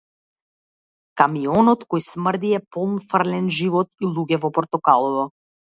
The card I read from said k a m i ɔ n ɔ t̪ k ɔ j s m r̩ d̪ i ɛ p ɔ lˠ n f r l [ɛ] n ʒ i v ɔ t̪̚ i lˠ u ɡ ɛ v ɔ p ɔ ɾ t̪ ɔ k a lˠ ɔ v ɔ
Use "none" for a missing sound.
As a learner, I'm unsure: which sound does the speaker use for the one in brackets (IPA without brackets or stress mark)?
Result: ɛ